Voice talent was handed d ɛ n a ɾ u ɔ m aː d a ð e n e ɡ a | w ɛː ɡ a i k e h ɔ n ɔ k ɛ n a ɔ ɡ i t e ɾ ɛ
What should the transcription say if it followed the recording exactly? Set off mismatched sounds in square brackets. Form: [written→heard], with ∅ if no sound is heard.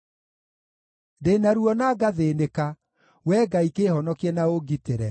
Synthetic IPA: d [ɛ→e] n a ɾ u ɔ [m→n] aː [d→ɡ] a ð e n e [ɡ→k] a | w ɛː ɡ a i k e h ɔ n ɔ k ɛ n a [ɔ→o] ɡ i t e ɾ ɛ